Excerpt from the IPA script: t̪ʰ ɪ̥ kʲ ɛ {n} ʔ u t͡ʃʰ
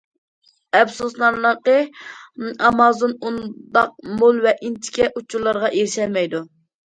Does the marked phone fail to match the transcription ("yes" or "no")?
yes